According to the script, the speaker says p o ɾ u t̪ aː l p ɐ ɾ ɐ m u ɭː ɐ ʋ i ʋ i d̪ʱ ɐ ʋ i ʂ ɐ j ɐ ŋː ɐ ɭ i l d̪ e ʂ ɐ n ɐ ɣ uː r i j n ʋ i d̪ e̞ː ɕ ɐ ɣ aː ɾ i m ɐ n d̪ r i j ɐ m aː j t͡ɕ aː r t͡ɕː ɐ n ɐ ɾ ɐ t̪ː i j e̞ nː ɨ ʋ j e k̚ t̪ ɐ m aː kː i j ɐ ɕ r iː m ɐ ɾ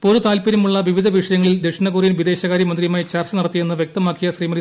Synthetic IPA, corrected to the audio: p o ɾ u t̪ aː l p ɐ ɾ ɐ m u ɭː ɐ ʋ i ʋ i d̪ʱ ɐ ʋ i ʂ ɐ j ɐ ŋː ɐ ɭ i l d̪ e ʂ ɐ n ɐ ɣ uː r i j n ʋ i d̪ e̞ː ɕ ɐ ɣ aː ɾ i m ɐ n d̪ r i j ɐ m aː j t͡ɕ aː r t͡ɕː ɐ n ɐ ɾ ɐ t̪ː i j e̞ nː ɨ ʋ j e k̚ t̪ ɐ m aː kː i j ɐ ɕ r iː m ɐ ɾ